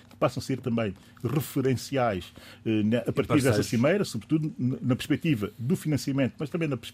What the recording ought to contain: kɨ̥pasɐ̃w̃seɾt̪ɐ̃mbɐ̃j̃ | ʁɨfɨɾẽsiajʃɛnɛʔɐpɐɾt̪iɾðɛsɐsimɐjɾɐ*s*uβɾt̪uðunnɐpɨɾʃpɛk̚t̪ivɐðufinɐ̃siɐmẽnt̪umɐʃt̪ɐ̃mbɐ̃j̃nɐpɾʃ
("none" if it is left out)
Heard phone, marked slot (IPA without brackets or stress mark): s